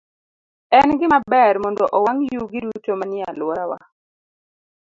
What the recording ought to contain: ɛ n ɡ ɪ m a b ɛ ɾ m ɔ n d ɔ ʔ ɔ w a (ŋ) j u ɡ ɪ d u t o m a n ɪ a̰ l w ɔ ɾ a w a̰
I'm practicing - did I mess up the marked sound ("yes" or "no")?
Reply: no